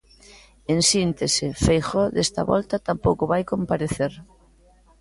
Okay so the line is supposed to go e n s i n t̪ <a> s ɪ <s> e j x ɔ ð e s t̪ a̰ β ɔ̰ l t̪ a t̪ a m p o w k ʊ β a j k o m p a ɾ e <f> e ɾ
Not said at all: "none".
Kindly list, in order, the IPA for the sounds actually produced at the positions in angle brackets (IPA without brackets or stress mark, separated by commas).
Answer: e, f, θ